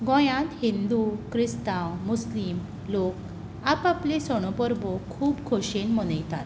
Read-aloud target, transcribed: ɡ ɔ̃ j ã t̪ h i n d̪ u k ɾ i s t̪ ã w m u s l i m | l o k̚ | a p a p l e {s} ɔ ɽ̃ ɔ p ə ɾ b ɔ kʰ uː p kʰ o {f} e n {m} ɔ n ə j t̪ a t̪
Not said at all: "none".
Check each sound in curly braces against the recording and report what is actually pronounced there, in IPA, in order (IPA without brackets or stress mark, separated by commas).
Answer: s, ɕ, m